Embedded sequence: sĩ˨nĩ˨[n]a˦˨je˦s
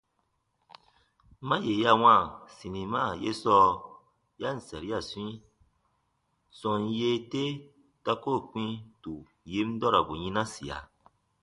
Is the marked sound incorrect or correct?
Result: incorrect